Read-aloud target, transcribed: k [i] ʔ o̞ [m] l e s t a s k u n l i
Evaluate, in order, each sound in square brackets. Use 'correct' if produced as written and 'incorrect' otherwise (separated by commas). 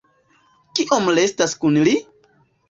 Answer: correct, correct